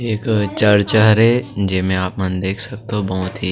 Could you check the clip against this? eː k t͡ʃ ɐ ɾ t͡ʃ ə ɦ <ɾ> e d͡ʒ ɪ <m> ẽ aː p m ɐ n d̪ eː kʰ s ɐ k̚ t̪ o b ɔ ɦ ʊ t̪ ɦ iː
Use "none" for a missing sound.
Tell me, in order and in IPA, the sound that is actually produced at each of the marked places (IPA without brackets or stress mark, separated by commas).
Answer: ɾ, m